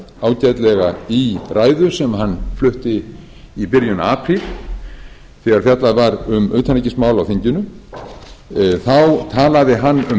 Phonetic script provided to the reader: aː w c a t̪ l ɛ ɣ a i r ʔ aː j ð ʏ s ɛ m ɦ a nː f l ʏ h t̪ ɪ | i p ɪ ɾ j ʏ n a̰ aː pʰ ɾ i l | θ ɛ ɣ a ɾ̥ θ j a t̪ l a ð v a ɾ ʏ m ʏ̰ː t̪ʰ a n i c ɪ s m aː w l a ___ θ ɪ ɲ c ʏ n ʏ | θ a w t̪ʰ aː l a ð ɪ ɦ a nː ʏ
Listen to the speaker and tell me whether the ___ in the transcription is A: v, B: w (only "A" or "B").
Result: B